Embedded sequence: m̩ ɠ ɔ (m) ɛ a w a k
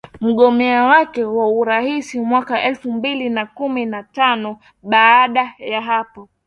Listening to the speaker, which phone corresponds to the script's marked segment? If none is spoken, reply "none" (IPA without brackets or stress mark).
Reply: m